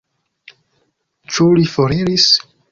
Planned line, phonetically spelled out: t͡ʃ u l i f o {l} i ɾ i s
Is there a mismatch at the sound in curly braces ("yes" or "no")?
yes